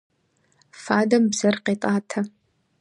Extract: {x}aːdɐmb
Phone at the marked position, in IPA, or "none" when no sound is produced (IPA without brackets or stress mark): f